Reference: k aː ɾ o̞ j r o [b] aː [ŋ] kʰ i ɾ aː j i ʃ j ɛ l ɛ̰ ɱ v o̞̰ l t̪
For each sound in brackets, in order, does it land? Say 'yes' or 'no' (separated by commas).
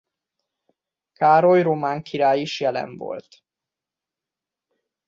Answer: no, yes